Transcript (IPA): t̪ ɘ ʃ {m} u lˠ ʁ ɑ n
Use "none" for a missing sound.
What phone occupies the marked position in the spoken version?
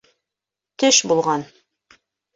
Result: b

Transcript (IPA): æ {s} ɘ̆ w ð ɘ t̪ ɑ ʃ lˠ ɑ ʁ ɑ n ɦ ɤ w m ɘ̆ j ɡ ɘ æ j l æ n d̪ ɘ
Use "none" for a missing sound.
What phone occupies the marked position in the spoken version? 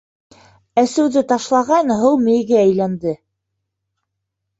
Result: s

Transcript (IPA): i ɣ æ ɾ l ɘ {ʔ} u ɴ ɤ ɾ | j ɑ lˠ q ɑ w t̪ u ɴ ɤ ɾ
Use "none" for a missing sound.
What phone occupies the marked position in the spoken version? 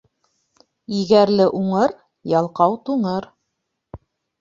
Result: ʔ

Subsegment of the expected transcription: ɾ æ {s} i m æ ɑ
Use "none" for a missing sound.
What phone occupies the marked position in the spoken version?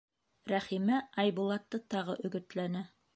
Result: χ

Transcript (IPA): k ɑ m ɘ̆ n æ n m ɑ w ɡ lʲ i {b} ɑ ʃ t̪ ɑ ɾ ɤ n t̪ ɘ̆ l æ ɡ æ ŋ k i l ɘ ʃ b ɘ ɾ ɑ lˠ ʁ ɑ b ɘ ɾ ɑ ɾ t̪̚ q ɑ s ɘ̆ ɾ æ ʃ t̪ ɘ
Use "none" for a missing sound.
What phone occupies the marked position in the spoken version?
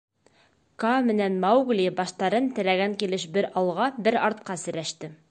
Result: b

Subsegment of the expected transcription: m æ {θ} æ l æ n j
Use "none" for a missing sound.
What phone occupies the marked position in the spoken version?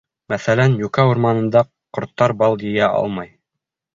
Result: θ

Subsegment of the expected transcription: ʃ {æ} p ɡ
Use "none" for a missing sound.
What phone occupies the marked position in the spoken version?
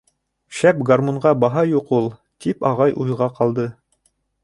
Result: æ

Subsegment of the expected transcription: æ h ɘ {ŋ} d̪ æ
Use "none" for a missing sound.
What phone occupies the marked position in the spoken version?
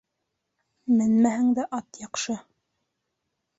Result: ŋ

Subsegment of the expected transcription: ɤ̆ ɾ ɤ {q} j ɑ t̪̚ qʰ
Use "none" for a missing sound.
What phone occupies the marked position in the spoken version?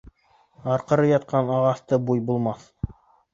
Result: none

